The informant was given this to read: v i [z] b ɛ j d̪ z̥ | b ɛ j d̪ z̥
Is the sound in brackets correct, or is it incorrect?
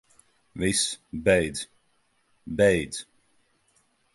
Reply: incorrect